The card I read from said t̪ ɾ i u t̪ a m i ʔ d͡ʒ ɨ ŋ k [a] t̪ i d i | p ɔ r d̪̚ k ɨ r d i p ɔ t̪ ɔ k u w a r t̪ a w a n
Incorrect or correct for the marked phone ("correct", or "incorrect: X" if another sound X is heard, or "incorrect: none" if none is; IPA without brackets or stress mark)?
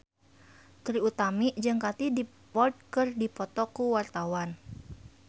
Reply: correct